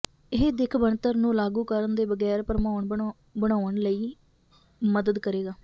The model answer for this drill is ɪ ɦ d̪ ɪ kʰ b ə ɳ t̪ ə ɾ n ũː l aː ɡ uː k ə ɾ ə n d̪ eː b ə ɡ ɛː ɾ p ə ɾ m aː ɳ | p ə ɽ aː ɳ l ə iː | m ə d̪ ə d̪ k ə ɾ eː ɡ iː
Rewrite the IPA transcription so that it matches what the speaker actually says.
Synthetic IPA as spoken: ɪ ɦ d̪ ɪ kʰ b ə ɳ t̪ ə ɾ n ũː l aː ɡ uː k ə ɾ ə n d̪ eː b ə ɡ ɛː ɾ p ə ɾ m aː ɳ | b ə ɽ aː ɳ l ə iː | m ə d̪ ə d̪ k ə ɾ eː ɡ aː